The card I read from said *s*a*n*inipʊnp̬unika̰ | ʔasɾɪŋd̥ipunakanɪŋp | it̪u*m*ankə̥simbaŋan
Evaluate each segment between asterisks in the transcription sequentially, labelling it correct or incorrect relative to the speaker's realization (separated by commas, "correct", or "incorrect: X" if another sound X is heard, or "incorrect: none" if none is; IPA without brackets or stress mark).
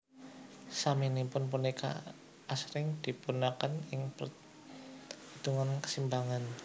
correct, incorrect: m, incorrect: ŋ